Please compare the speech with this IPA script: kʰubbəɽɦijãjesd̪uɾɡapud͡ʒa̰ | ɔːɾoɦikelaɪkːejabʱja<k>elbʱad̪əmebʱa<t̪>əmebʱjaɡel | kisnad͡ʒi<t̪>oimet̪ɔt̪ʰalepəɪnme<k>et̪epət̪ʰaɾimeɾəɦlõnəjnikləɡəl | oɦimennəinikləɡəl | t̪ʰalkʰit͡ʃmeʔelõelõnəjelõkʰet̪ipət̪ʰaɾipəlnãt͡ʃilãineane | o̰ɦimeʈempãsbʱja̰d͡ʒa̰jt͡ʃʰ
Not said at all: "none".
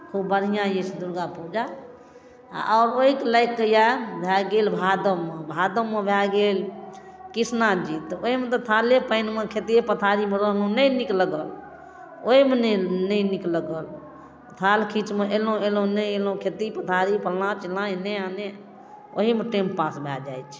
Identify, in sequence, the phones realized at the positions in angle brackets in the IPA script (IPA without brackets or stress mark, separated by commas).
ɡ, d̪, t̪, kʰ